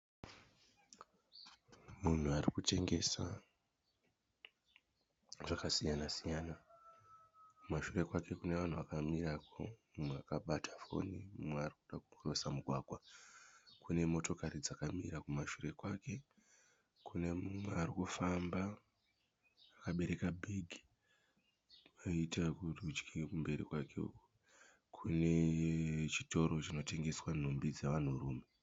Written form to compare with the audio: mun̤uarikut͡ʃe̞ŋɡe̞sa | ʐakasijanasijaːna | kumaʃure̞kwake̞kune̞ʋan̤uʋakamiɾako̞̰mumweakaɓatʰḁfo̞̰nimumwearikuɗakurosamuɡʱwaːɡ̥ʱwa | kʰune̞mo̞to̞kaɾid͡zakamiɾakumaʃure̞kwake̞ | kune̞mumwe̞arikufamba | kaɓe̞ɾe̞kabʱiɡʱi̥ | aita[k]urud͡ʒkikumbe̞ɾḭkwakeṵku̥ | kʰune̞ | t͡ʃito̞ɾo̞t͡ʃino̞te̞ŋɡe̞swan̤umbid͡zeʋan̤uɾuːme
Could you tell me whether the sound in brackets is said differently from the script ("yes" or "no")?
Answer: no